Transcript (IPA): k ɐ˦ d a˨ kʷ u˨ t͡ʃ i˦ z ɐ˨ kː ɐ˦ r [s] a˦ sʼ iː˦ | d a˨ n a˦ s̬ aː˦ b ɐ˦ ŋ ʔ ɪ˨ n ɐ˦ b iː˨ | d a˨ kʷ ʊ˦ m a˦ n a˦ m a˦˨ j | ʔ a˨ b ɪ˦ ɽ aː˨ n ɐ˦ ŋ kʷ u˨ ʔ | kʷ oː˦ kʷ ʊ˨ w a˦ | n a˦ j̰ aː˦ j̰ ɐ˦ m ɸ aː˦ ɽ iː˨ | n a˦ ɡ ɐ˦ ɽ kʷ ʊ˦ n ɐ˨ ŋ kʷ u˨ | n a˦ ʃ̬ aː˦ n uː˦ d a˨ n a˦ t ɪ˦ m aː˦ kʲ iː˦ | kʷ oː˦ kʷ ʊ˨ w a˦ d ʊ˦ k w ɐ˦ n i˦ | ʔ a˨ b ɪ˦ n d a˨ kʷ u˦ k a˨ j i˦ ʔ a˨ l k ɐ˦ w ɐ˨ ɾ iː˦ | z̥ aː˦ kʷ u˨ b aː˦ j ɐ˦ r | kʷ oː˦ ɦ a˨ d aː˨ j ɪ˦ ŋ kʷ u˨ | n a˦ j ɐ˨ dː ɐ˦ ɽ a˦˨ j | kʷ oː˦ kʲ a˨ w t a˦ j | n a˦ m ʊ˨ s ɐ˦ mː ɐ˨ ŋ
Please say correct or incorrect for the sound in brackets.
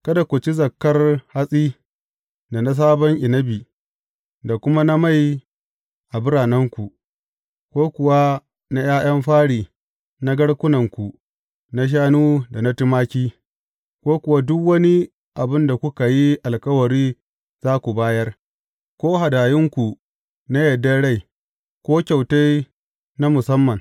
incorrect